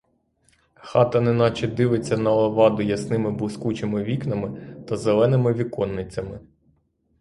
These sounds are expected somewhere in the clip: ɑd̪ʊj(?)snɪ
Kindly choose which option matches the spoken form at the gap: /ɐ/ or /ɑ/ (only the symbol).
ɐ